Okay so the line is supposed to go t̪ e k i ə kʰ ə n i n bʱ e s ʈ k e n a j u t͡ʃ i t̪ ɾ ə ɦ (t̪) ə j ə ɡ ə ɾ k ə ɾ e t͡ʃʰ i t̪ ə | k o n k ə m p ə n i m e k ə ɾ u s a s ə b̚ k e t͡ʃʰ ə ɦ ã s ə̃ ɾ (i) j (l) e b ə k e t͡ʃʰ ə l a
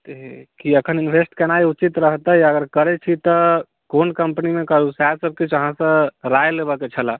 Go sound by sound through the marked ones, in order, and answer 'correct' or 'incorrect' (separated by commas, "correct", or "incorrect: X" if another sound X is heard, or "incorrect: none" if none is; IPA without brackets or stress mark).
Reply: correct, incorrect: a, correct